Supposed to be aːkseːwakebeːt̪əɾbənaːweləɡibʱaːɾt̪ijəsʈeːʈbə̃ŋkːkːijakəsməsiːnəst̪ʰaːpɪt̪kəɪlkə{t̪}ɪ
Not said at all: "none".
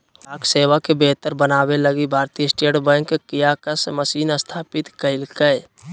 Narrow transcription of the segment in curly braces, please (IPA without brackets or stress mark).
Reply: none